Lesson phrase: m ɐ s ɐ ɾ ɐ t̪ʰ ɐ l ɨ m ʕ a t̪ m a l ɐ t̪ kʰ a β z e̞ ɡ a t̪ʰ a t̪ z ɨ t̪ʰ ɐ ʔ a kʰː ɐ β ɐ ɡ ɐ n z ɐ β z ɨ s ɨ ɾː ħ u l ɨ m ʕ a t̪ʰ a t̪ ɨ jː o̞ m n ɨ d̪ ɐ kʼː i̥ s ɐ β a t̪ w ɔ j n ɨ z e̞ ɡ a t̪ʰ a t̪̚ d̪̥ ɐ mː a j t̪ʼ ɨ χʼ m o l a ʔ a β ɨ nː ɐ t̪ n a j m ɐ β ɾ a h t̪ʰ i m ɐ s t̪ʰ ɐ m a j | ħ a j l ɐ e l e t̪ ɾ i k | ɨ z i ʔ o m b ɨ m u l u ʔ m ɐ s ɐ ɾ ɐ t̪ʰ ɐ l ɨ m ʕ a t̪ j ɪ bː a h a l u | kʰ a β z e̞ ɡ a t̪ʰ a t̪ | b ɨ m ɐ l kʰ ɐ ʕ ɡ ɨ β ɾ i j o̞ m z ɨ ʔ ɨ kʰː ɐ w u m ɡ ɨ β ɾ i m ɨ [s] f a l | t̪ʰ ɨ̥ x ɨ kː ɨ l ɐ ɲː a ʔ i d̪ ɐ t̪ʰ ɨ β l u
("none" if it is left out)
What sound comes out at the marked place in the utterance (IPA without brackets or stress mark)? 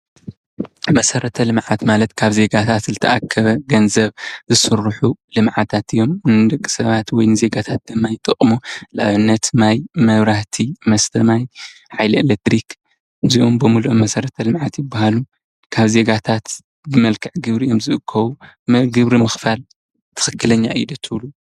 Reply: x